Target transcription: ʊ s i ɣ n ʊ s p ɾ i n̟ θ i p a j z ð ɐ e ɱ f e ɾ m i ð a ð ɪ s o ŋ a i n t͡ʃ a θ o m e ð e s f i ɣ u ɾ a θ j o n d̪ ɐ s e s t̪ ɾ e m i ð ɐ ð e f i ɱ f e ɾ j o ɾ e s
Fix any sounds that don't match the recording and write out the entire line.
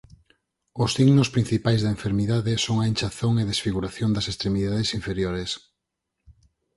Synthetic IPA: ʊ s i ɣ n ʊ s p ɾ i n̟ θ i p a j z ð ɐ e ɱ f e ɾ m i ð a ð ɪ s o ŋ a e n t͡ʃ a θ o ŋ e ð e s f i ɣ u ɾ a θ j o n d̪ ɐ s e s t̪ ɾ e m i ð a ð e s i ɱ f e ɾ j o ɾ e s